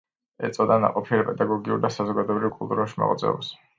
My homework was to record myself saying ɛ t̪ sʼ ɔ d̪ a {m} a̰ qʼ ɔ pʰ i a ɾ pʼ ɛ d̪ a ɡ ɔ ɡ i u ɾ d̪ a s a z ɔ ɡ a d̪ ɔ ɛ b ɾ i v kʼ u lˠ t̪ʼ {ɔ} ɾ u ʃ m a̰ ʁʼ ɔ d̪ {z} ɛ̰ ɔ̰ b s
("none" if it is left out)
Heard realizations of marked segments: n, u, z

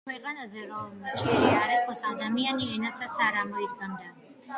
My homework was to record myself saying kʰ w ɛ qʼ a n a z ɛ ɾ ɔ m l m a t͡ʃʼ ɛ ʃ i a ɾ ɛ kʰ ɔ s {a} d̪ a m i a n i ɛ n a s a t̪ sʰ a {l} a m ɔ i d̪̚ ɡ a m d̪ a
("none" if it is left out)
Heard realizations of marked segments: a, ɾ

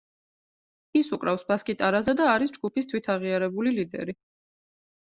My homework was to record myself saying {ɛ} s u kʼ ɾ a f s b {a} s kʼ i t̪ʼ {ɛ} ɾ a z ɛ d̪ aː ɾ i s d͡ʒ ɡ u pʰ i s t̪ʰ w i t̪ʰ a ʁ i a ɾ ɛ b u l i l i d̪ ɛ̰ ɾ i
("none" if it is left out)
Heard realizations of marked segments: i, a, a

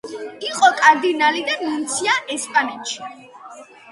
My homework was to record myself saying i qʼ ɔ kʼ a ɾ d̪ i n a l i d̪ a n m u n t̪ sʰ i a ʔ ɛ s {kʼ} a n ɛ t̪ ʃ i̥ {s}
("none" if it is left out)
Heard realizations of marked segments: pʼ, none

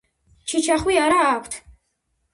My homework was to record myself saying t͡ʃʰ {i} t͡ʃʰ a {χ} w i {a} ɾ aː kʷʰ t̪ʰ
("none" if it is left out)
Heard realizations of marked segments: i, χ, a

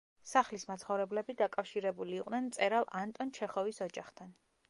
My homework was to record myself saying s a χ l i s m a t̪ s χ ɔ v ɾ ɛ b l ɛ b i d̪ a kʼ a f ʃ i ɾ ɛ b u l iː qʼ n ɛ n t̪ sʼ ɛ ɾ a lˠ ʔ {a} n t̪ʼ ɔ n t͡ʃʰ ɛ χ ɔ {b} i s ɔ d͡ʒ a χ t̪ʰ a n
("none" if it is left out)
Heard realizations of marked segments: a, v

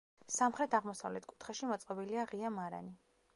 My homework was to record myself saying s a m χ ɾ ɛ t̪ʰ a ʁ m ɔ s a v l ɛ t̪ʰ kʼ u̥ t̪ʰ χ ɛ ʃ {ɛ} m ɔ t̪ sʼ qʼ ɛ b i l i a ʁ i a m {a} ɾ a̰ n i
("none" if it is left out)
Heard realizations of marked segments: i, a

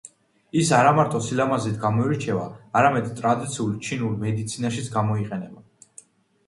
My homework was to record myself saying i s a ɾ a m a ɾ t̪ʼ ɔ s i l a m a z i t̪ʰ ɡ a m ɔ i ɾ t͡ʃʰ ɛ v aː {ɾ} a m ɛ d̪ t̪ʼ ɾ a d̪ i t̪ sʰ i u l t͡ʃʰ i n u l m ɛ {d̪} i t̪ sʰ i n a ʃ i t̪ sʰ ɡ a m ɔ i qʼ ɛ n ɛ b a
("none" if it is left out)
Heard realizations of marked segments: ɾ, d̪

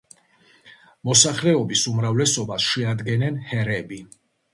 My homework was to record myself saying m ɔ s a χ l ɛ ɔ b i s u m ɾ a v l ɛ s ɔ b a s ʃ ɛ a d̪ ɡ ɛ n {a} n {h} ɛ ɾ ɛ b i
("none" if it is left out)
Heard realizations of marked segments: ɛ, h

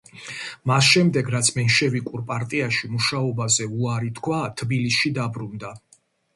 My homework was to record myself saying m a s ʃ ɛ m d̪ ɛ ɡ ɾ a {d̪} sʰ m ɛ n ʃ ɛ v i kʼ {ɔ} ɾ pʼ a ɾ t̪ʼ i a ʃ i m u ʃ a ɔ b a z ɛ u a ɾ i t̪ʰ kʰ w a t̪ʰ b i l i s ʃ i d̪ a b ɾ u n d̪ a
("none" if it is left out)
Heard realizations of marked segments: t̪, u

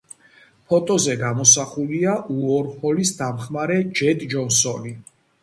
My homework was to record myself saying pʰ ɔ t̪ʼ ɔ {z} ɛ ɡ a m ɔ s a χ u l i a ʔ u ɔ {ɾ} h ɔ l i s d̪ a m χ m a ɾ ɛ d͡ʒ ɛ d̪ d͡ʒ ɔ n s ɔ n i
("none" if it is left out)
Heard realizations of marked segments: z, ɾ

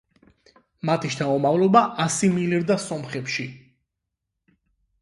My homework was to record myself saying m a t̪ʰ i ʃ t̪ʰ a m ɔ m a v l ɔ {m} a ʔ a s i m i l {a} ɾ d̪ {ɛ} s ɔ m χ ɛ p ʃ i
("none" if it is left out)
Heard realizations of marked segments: b, i, a

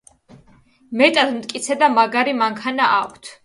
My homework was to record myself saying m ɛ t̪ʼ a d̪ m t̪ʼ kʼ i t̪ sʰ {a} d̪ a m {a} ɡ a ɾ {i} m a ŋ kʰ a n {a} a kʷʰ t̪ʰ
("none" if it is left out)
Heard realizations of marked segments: ɛ, a, i, a

